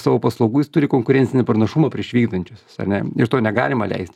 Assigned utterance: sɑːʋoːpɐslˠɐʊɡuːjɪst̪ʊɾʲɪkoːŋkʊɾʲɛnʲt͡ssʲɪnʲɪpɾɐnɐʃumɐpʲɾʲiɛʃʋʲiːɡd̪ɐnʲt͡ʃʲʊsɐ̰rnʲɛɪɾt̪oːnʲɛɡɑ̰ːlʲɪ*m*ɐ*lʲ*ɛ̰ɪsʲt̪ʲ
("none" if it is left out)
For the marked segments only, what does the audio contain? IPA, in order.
m, lʲ

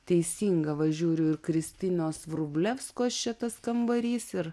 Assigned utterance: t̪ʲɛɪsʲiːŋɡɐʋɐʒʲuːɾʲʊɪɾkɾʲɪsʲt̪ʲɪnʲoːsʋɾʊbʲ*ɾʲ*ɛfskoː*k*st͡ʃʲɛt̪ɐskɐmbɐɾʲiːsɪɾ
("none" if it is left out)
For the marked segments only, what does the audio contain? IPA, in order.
lʲ, none

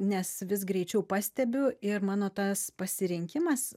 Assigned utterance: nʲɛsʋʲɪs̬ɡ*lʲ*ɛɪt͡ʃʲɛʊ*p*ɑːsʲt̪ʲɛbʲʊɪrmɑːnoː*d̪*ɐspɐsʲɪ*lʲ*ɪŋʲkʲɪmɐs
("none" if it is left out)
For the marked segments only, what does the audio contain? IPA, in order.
ɾʲ, p, t̪, ɾʲ

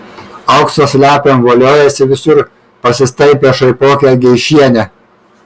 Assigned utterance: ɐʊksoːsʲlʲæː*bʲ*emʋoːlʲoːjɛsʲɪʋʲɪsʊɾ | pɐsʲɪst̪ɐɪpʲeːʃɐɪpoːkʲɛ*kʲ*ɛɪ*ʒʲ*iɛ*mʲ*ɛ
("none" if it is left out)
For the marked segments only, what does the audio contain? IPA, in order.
pʲ, ɡʲ, ʃʲ, nʲ

